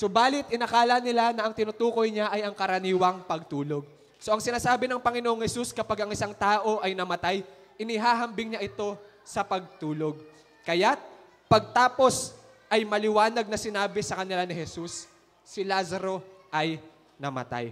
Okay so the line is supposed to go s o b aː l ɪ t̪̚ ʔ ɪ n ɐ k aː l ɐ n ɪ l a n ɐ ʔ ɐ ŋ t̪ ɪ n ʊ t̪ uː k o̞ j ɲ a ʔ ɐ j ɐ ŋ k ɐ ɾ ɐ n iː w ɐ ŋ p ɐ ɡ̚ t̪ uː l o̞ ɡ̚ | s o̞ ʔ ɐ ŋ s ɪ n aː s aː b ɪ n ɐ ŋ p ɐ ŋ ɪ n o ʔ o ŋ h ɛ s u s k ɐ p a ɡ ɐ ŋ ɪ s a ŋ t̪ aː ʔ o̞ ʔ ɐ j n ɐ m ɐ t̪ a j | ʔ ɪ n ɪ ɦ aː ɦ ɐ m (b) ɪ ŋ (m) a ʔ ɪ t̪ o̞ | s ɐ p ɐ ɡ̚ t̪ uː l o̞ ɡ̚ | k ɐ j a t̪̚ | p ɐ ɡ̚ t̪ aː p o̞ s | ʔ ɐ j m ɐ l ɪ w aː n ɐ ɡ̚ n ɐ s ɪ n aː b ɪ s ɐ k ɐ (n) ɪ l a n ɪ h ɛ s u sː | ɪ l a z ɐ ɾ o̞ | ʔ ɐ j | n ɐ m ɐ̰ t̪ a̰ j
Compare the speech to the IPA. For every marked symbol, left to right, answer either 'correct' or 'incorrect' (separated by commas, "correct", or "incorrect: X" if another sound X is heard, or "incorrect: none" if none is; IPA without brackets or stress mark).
correct, incorrect: ɲ, correct